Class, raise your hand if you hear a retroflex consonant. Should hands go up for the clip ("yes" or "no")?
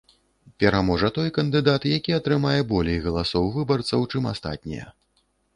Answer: yes